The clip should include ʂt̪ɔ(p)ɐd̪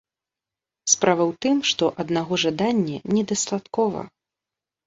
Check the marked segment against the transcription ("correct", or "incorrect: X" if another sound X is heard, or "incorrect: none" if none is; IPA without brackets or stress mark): incorrect: ʔ